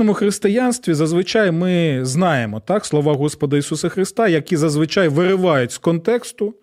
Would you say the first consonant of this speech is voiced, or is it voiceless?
voiced